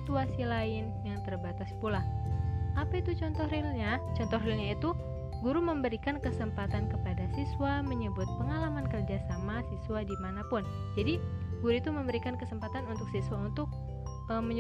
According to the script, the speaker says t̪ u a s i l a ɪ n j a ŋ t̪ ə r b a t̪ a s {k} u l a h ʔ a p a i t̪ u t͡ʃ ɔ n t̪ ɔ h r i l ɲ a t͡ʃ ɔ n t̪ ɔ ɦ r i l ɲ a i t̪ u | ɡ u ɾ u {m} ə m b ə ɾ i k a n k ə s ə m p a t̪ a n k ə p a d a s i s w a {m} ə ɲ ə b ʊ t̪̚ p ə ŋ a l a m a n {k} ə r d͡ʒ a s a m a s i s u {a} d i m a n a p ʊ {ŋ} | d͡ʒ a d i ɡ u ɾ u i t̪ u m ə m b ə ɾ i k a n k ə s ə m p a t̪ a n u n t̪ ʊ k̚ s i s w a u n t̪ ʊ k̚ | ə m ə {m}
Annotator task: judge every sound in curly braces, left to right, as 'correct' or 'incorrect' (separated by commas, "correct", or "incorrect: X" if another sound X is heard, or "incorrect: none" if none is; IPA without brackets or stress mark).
incorrect: p, correct, correct, correct, correct, incorrect: n, incorrect: ɲ